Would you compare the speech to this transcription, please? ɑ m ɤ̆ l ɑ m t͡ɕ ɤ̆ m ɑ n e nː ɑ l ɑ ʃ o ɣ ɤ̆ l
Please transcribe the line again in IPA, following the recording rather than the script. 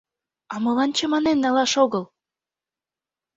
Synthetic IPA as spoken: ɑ m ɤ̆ l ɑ n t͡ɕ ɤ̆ m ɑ n e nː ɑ l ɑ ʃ o ɣ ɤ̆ l

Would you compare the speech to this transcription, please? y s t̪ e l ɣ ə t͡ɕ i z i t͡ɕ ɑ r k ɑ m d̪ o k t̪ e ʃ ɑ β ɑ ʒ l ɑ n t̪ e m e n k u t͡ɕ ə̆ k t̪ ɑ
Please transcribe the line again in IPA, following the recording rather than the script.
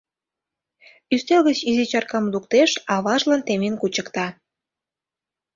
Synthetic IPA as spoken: y s t̪ e l ɣ ə t͡ɕ i z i t͡ɕ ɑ r k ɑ m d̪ u k t̪ e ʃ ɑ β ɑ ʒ l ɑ n t̪ e m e n k u t͡ɕ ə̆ k t̪ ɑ

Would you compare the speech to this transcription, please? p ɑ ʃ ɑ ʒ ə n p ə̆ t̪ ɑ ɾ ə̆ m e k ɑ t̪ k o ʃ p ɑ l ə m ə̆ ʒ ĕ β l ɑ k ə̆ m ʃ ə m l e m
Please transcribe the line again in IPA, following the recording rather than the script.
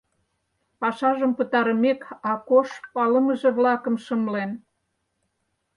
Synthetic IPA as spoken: p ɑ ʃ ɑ ʒ ə m p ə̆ t̪ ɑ ɾ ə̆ m e k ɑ k o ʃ p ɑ l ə m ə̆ ʒ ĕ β l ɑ k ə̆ m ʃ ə m l e n

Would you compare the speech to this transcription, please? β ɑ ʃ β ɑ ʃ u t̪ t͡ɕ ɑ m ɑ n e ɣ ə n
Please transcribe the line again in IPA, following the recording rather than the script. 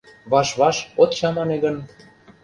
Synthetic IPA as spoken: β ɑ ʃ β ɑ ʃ o t̪ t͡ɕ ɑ m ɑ n e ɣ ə n

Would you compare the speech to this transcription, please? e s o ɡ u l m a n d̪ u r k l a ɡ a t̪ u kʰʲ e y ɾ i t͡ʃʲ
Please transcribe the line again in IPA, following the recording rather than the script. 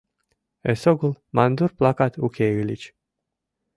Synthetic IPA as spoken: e s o ɡ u l m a n d̪ u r p l a k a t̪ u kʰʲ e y l i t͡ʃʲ

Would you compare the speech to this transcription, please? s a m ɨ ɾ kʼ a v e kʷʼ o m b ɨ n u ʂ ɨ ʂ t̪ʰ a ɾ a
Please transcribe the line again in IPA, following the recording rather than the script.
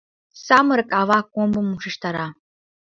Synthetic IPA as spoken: s a m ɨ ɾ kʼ a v a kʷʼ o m b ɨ m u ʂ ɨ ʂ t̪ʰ a ɾ a

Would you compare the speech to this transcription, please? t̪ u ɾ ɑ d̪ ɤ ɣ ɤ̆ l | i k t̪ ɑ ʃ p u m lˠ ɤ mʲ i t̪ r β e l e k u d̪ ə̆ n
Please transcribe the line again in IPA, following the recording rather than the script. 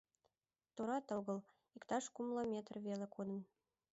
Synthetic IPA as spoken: t̪ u ɾ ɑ t̪ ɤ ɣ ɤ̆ l | i k t̪ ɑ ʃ k u m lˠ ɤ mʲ e t̪ r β e l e k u d̪ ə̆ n

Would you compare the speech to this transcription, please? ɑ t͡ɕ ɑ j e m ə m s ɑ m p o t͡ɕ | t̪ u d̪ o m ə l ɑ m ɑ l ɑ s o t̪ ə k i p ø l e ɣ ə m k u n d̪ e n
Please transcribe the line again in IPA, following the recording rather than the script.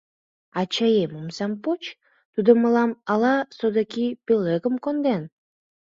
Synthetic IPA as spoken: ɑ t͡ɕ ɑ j e m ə m s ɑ m p o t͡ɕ | t̪ u d̪ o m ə l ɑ m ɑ l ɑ s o d̪ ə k i p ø l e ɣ ə m k o n d̪ e n

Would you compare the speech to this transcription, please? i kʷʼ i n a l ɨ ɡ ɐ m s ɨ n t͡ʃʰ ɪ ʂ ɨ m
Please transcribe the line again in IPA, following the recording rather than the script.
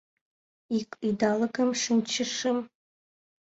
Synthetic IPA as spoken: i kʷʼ i d a l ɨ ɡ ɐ m ʂ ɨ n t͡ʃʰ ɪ ʂ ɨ m

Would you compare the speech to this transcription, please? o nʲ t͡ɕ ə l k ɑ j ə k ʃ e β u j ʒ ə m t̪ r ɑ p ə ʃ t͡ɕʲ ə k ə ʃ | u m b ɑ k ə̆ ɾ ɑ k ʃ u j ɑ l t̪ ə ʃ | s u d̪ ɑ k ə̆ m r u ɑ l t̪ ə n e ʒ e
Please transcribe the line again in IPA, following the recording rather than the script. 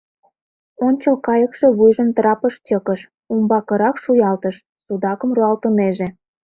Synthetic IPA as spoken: o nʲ t͡ɕ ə l k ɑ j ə k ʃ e β u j ʒ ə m t̪ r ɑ p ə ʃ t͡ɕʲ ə k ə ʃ | u m b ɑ k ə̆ ɾ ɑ k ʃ u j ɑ l t̪ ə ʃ | s u d̪ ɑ k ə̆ m r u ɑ l t̪ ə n e ʒ e

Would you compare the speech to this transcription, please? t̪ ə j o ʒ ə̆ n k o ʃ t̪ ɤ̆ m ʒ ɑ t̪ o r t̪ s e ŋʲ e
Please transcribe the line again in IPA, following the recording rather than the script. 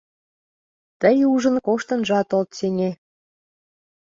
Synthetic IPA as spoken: t̪ ə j u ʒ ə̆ n k o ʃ t̪ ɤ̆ n ʒ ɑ t̪ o l t̪ s e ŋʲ e

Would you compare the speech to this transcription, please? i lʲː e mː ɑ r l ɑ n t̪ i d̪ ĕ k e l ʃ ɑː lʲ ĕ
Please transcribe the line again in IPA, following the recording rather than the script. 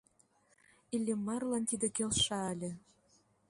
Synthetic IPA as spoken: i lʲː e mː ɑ r l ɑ n t̪ i d̪ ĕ k e l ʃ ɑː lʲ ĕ

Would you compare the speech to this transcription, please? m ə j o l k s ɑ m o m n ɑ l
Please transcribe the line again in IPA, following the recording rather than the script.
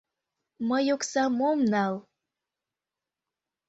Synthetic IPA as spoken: m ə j o k s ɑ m o m n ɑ l

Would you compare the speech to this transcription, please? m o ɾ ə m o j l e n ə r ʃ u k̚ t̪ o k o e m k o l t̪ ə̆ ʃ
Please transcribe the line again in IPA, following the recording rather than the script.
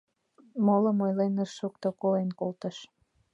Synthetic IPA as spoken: m o l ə m o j l e n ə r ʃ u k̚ t̪ o k o e n k o l t̪ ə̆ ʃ

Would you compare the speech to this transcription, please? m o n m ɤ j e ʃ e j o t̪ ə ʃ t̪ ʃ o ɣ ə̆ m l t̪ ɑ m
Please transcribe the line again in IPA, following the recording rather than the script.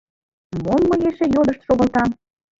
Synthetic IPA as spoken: m o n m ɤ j e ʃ e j o d̪ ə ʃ t̪ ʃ o ɣ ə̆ l t̪ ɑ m

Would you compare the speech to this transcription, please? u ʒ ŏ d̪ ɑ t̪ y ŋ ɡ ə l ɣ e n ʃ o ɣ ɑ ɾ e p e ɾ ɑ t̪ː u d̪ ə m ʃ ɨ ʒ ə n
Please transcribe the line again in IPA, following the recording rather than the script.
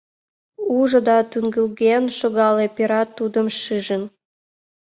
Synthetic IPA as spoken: u ʒ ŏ d̪ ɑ t̪ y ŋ ɡ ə l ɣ e n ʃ o ɣ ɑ l e p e ɾ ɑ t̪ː u d̪ ə m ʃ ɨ ʒ ə n

